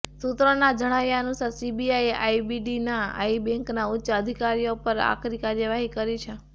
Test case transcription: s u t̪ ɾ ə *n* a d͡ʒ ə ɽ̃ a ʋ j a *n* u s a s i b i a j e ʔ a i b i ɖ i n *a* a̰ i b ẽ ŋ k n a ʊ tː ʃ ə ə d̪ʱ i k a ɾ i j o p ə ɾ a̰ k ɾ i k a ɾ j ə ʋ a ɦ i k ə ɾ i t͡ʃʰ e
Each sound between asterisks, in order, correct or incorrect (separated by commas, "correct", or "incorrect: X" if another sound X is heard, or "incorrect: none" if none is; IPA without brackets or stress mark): correct, correct, correct